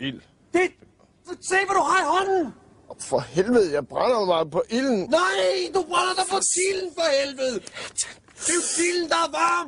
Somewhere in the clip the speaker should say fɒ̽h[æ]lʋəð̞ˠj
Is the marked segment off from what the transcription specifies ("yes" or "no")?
yes